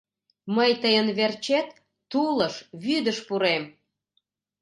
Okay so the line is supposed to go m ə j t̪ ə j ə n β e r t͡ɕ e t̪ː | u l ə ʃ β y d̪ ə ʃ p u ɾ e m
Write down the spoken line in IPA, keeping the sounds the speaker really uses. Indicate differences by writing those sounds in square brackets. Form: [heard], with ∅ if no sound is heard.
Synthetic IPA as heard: m ə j t̪ ə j ə n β e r t͡ɕ e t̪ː | u l ə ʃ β y d̪ ə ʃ p u ɾ e m